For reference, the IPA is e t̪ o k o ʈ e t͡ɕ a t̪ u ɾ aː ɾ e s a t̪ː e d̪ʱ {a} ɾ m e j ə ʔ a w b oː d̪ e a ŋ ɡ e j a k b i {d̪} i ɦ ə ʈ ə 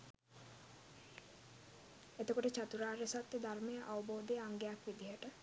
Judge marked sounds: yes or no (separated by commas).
yes, yes